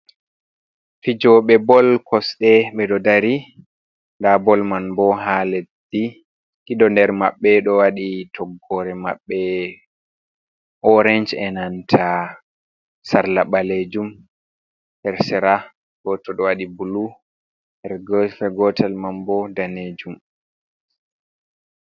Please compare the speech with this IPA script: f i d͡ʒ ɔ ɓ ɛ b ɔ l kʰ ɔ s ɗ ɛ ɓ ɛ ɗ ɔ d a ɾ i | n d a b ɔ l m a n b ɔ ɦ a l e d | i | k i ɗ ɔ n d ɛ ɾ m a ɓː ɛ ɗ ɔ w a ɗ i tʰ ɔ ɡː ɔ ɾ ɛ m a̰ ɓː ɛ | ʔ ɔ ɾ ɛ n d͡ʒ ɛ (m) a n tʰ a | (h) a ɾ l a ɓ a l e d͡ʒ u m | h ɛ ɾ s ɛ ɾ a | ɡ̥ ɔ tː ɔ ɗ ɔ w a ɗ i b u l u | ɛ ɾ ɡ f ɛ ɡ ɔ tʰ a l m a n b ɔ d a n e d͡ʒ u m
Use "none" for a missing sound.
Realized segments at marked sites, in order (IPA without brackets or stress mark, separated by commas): n, s